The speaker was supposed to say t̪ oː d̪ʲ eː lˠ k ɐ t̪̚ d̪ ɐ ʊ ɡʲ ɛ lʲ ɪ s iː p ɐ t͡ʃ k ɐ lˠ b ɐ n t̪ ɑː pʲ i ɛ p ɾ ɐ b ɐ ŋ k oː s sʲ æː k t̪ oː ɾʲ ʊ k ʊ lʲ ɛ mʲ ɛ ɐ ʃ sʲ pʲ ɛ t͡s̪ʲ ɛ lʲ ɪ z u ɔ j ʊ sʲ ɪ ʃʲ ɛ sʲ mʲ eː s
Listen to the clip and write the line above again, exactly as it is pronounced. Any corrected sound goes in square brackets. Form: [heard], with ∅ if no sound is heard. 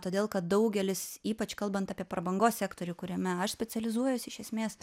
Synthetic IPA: t̪ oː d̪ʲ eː lˠ k ɐ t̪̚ d̪ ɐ ʊ ɡʲ ɛ lʲ ɪ s iː p ɐ t͡ʃ k ɐ lˠ b ɐ n t̪ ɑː pʲ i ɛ p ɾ ɐ b ɐ ŋ [ɡ] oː s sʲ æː k t̪ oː ɾʲ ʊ k ʊ [ɾʲ] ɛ mʲ ɛ ɐ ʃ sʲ pʲ ɛ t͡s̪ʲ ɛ lʲ ɪ z u ɔ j ʊ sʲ ɪ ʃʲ ɛ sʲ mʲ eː s

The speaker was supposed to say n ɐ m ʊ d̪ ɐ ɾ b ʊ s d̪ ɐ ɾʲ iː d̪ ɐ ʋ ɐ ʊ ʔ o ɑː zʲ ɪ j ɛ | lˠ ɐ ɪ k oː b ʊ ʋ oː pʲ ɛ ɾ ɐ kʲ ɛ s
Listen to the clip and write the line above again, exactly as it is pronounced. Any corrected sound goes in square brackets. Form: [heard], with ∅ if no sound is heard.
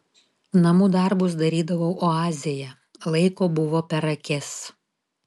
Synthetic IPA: n ɐ m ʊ d̪ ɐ ɾ b ʊ s d̪ ɐ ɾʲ iː d̪ ɐ ʋ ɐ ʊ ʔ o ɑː zʲ ɪ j ɛ | lˠ ɐ ɪ k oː b ʊ ʋ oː pʲ ɛ ɾ ɐ kʲ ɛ s

